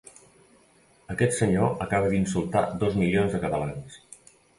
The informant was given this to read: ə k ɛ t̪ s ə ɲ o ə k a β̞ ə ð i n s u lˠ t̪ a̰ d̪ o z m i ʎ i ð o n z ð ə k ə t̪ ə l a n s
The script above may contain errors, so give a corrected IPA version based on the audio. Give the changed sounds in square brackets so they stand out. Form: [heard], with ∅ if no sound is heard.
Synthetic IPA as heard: ə k ɛ t̪ s ə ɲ o ə k a β̞ ə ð i n s u lˠ t̪ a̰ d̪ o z m i [l] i [∅] o n z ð ə k ə t̪ ə l a n s